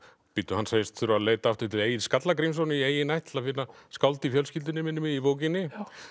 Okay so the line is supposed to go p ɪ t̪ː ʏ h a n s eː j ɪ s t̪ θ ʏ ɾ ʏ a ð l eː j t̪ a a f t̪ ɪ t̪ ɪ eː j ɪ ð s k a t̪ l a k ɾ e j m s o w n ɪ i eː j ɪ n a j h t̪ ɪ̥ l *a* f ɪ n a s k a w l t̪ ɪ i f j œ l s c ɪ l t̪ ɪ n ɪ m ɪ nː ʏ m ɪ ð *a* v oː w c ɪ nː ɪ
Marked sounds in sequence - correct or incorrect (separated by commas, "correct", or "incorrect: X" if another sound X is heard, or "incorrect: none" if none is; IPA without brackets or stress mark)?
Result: correct, incorrect: i